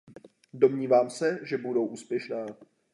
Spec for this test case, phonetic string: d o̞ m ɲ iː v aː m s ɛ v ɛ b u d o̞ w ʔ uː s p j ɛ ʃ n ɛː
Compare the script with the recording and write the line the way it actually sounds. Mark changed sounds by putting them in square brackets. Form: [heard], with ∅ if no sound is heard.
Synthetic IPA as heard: d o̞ m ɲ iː v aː m s ɛ [ʒ] ɛ b u d o̞ w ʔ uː s p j ɛ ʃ n [aː]